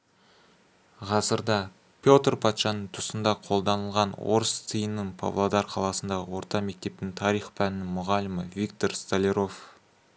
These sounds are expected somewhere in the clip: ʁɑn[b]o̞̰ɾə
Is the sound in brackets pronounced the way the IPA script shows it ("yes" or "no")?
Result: no